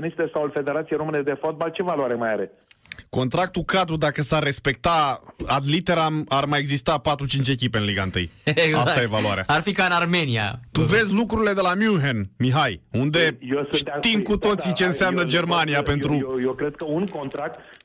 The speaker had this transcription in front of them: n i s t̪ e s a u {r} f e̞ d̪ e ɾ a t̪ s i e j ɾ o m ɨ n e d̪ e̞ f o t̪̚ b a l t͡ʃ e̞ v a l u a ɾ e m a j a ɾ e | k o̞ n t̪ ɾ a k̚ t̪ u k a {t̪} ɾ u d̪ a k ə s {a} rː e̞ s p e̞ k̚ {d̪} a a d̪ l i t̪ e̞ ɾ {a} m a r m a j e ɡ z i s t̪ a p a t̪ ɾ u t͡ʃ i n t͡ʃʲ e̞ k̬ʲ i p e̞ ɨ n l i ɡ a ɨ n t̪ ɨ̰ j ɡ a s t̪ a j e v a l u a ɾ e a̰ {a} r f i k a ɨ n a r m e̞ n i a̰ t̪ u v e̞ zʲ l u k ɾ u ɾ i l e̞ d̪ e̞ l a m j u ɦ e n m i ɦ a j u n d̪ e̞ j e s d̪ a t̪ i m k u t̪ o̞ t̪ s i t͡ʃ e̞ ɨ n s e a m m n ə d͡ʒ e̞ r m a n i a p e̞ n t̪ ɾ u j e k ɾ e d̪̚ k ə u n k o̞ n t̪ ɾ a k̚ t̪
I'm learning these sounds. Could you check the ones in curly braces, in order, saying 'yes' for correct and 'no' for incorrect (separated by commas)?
no, no, yes, no, yes, yes